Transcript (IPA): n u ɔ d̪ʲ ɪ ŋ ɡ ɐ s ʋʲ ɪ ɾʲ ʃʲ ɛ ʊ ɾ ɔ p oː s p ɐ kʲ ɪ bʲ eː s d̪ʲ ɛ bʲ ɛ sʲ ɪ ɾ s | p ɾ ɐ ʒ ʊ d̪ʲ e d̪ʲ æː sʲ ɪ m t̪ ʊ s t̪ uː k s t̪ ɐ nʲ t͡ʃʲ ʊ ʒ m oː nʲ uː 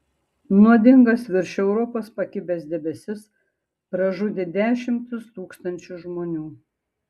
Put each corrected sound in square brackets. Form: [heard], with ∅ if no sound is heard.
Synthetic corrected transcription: n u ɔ d̪ʲ ɪ ŋ ɡ ɐ s ʋʲ ɪ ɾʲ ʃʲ ɛ ʊ ɾ ɔ p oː s p ɐ kʲ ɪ bʲ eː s d̪ʲ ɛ bʲ ɛ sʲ ɪ [∅] s | p ɾ ɐ ʒ ʊ d̪ʲ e d̪ʲ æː [ʃʲ] ɪ m t̪ ʊ s t̪ uː k s t̪ ɐ nʲ t͡ʃʲ ʊ ʒ m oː nʲ uː